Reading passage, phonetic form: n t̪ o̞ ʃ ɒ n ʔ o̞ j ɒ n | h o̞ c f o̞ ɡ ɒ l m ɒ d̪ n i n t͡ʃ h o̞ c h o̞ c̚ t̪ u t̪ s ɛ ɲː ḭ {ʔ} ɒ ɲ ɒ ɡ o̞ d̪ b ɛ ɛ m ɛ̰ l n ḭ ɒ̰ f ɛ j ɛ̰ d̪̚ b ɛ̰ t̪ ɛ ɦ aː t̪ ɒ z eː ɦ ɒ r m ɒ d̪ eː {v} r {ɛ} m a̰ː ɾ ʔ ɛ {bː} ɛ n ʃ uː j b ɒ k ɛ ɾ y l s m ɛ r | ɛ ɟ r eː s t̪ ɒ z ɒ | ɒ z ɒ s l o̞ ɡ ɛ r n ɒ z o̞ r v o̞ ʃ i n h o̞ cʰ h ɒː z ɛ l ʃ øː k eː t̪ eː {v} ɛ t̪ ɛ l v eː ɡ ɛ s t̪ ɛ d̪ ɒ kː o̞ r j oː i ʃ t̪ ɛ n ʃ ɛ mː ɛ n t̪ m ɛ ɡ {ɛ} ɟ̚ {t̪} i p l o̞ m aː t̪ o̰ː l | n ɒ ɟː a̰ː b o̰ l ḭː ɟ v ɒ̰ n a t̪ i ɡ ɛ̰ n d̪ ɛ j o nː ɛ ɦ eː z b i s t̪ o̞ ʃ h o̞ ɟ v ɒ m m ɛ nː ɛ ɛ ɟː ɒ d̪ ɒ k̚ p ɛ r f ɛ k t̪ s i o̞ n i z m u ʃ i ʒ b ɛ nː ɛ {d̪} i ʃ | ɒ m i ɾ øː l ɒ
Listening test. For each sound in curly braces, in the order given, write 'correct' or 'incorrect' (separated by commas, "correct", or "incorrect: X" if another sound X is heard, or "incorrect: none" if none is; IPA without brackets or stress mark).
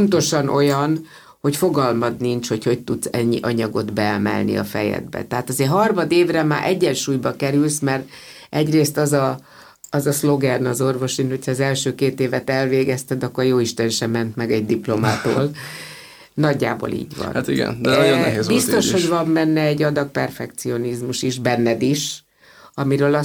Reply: correct, correct, correct, incorrect: ɟː, correct, correct, incorrect: d̪, correct